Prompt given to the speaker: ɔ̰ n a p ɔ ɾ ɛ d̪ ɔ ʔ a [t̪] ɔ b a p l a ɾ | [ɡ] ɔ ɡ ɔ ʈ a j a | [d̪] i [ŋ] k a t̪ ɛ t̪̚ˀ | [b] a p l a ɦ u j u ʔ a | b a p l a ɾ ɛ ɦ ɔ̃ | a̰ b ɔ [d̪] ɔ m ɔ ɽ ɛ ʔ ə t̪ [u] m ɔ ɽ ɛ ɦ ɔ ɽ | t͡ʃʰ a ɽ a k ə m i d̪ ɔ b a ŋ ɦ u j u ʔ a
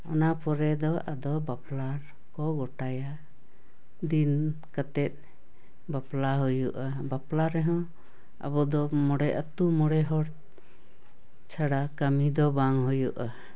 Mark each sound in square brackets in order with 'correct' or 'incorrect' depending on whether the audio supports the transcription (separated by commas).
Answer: incorrect, incorrect, correct, incorrect, correct, correct, correct